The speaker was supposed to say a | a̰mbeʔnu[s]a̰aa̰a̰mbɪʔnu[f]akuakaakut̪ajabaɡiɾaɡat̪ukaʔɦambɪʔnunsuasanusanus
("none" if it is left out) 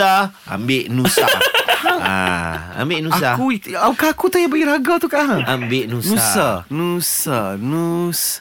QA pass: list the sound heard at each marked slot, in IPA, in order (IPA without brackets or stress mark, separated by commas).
s, s